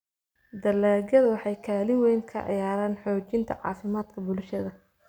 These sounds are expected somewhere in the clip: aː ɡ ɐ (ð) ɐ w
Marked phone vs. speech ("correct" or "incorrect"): correct